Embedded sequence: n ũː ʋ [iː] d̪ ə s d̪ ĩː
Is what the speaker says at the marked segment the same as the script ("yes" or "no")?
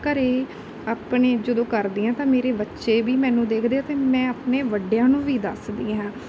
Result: yes